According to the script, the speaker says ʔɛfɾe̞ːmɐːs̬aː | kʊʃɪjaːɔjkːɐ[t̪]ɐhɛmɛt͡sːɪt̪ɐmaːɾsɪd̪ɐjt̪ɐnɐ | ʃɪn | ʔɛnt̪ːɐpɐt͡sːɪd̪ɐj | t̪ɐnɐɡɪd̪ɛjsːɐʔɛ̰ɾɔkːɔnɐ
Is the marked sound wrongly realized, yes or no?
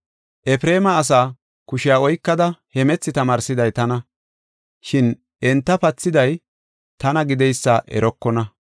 yes